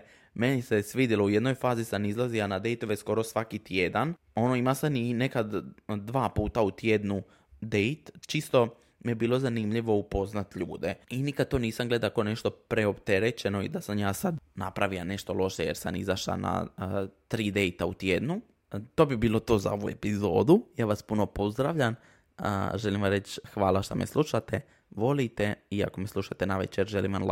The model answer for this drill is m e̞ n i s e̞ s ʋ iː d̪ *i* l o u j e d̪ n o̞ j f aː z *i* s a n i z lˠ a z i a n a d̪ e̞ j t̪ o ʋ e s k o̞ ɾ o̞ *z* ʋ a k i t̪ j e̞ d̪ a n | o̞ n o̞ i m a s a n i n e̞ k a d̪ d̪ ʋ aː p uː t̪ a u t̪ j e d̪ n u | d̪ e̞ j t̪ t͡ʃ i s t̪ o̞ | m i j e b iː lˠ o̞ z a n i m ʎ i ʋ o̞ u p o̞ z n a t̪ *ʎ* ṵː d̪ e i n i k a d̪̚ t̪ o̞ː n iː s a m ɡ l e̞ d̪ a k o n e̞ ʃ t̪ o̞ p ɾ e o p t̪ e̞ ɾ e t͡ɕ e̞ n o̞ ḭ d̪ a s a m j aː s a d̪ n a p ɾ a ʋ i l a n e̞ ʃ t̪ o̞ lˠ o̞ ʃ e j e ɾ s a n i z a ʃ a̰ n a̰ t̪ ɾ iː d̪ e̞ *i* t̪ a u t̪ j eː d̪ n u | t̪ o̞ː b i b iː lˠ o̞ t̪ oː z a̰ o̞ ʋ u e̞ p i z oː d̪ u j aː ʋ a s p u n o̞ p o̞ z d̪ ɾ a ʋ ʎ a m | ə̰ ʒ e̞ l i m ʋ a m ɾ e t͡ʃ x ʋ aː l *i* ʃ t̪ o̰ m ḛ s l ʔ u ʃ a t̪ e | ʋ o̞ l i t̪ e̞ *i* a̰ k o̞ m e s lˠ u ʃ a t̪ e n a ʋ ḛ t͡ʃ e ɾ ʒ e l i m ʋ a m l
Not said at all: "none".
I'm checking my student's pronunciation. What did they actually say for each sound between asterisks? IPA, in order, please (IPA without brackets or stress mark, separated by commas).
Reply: i, i, s, ʎ, j, a, i